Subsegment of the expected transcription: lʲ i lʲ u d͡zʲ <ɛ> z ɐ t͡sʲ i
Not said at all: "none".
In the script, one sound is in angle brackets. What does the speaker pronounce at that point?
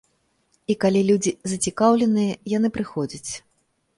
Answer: i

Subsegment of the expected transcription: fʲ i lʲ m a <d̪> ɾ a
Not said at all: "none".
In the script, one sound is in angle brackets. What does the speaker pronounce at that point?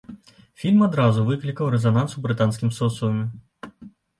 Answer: d̪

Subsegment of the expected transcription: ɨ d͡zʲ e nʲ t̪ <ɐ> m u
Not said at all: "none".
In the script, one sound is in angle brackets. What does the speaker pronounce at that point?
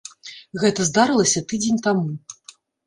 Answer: a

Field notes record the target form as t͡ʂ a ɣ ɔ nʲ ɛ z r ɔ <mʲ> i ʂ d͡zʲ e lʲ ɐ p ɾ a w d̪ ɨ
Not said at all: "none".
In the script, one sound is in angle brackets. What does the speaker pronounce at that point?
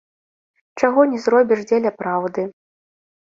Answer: bʲ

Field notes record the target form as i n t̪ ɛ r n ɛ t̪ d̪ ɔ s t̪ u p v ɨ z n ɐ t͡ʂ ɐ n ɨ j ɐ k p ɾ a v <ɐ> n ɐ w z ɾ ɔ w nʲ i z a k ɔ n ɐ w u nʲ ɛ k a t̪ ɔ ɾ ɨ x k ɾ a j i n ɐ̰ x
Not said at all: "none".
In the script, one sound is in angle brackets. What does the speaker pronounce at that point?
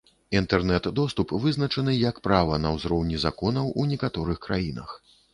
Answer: ɐ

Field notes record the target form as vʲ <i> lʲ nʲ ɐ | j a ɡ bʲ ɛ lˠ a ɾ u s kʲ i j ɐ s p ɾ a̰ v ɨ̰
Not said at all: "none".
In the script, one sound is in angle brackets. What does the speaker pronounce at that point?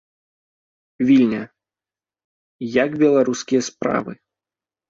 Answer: i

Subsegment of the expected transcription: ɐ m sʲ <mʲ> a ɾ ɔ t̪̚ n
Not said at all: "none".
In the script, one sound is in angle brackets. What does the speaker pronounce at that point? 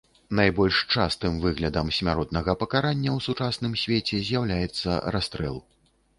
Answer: mʲ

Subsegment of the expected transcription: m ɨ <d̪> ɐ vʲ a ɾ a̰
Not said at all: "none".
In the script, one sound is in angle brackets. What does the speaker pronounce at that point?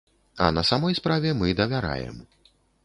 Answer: d̪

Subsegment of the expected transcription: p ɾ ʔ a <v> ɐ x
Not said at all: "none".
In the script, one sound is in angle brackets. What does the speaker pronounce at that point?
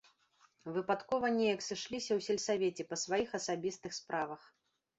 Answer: v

